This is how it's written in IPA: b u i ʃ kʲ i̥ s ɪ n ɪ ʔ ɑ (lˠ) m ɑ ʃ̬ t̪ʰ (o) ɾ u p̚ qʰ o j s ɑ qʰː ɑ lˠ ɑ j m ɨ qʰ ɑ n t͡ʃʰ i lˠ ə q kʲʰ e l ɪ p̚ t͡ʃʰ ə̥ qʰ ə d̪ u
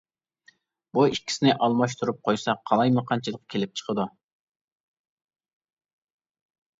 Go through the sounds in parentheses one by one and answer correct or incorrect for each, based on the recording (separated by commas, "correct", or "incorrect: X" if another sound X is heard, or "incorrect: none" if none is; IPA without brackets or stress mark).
correct, incorrect: u